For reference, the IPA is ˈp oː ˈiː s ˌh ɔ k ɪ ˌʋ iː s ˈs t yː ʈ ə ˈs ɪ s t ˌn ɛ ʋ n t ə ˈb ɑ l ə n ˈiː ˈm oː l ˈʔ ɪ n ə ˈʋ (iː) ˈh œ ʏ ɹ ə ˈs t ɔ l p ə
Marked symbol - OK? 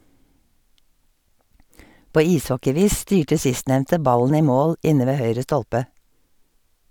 no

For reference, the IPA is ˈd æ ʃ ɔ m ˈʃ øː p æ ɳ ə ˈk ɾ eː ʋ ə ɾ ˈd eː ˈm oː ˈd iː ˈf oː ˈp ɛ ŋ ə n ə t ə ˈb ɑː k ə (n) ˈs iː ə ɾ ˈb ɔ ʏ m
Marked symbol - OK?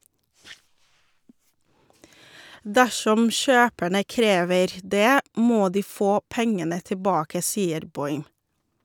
no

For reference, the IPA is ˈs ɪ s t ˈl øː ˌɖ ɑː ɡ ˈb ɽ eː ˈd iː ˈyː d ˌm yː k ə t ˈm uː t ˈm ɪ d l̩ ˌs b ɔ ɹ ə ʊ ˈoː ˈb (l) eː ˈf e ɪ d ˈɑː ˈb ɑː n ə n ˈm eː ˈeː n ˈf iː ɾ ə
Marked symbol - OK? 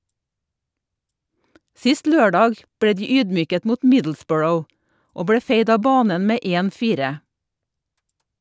no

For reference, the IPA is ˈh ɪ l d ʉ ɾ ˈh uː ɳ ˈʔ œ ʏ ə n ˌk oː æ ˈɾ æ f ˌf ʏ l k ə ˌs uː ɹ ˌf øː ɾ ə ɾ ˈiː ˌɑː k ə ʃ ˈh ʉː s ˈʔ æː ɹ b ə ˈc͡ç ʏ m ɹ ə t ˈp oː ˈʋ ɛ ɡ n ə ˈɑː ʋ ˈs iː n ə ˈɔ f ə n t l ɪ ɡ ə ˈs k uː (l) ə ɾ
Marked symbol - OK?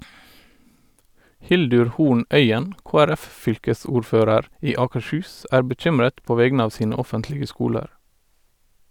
yes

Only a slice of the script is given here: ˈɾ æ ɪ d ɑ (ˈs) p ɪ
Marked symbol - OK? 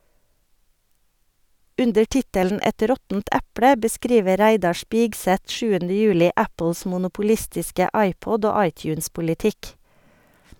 no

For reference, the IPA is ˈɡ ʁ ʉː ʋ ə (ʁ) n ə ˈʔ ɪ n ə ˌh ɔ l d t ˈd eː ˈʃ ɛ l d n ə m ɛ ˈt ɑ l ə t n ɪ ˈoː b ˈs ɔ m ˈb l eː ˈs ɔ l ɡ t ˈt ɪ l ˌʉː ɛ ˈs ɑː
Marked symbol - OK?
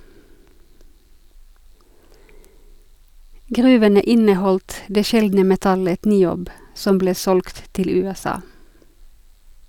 no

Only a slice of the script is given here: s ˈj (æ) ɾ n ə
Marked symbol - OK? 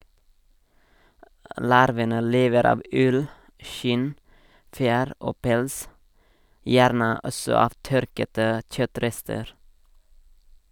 no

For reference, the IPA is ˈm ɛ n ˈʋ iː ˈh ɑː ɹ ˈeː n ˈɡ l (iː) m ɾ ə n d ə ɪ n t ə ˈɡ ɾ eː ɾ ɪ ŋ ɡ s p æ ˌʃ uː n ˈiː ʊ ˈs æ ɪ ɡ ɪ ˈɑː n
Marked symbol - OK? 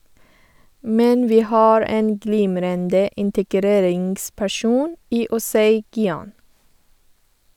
yes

